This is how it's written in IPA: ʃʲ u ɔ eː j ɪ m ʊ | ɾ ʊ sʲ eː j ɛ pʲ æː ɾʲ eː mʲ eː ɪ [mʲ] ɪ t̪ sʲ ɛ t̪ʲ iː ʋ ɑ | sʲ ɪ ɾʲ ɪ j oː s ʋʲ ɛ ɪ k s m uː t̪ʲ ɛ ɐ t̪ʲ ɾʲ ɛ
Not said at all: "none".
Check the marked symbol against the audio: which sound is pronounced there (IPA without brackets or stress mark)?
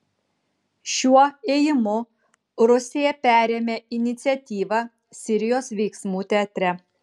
nʲ